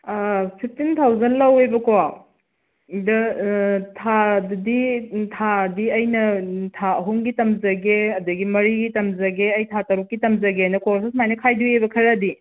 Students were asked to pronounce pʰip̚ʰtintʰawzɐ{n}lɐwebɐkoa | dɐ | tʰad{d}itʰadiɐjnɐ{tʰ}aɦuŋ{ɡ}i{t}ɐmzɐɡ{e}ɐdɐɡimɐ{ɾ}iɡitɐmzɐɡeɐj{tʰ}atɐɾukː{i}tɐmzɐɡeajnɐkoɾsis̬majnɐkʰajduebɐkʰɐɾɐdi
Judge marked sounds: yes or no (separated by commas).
yes, yes, yes, yes, yes, yes, yes, yes, yes